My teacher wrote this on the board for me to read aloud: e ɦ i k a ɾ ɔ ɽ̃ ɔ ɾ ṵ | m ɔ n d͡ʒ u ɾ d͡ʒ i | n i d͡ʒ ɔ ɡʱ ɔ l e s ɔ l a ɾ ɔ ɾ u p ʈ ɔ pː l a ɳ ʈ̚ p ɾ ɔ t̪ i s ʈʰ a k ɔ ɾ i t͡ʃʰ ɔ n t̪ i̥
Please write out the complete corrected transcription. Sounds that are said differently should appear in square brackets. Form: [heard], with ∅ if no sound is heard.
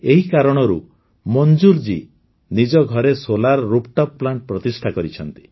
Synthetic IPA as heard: e ɦ i k a ɾ ɔ ɽ̃ ɔ ɾ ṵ | m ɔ n d͡ʒ u ɾ d͡ʒ i | n i d͡ʒ ɔ ɡʱ ɔ [ɾ] e s [o] l a ɾ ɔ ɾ u p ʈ ɔ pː l a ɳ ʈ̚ p ɾ ɔ t̪ i s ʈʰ a k ɔ ɾ i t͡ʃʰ ɔ n t̪ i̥